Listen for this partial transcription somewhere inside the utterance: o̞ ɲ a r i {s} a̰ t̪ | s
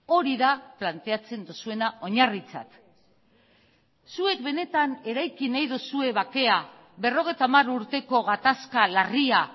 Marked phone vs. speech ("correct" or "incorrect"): incorrect